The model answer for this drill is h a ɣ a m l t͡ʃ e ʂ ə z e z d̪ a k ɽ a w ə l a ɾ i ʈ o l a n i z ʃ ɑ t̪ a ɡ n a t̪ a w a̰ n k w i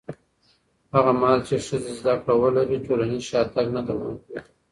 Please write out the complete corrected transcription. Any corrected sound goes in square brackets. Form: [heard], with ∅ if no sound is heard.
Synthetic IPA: h a ɣ a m l t͡ʃ e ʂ ə z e z d̪ a k ɽ a w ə l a ɾ i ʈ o l a n i z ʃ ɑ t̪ a ɡ n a [d̪] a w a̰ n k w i